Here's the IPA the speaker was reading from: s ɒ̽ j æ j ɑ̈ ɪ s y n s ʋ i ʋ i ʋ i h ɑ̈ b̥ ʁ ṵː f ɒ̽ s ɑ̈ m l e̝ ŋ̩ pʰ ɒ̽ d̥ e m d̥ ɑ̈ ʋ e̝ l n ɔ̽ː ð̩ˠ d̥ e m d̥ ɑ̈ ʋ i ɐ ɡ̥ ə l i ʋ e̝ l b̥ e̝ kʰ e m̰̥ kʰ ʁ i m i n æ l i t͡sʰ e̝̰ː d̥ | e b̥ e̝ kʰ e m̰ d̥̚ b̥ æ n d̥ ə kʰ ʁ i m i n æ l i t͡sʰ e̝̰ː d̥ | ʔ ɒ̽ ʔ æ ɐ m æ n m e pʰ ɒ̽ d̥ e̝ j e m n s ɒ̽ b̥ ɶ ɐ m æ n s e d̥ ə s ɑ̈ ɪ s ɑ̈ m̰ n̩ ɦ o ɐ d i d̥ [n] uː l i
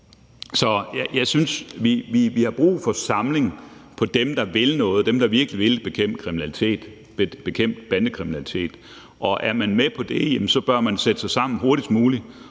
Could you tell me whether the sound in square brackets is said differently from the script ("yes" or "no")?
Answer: yes